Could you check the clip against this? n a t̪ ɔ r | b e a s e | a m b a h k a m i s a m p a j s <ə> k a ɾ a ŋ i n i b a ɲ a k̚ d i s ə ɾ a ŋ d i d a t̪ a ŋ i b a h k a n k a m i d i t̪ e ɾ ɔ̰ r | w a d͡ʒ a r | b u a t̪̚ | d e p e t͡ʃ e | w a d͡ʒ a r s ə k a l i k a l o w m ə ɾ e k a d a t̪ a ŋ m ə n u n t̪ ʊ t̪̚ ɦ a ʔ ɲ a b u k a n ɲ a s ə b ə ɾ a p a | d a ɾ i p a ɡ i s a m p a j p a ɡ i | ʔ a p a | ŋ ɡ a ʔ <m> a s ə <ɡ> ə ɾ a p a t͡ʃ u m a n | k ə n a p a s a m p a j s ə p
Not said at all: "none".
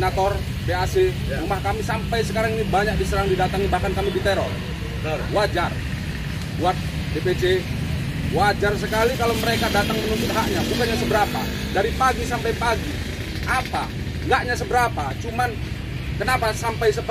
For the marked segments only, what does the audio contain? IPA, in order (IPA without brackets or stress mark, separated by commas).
ə, ɲ, b